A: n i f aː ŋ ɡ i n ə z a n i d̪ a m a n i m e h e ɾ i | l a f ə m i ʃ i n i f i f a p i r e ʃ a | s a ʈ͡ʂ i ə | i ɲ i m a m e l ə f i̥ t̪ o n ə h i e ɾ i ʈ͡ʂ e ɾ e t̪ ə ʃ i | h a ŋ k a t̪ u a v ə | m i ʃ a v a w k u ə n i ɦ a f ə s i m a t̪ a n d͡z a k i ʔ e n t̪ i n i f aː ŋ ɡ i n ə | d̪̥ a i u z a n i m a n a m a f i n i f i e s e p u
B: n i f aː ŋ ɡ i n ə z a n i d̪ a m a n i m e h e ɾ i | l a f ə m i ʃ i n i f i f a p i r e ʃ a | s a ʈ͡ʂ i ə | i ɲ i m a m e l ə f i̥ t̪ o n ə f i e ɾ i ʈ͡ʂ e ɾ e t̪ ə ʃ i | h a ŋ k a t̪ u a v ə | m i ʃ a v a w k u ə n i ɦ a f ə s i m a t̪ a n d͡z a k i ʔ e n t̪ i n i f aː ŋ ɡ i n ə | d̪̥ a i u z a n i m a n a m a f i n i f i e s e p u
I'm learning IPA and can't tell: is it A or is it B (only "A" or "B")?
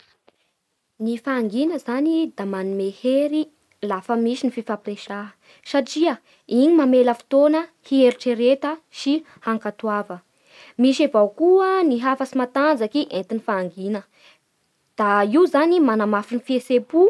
A